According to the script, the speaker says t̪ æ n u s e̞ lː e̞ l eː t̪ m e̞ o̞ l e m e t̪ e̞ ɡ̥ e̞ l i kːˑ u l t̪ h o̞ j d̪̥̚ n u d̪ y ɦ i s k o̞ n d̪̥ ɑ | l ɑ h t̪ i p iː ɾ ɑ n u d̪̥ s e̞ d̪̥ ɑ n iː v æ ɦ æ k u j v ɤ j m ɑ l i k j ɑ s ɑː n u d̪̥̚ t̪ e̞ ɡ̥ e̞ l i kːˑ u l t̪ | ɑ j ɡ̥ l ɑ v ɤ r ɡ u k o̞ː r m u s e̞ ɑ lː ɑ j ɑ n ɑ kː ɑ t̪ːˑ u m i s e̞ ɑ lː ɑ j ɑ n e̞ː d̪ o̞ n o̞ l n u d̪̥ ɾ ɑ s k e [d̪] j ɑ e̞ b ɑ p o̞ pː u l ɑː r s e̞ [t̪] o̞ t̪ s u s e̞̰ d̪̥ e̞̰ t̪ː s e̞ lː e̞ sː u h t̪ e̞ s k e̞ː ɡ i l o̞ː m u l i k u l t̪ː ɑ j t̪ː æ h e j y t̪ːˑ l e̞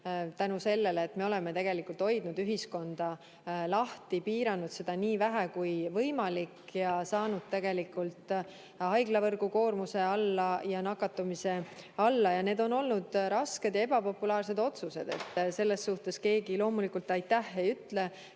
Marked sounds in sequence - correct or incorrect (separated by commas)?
correct, incorrect